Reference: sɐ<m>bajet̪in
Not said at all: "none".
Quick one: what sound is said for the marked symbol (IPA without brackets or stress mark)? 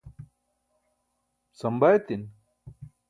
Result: m